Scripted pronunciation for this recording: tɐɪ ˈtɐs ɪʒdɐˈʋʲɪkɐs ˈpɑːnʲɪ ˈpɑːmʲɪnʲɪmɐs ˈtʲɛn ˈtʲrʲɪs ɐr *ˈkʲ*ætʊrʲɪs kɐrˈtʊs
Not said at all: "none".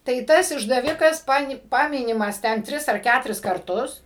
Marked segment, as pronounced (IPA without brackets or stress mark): kʲ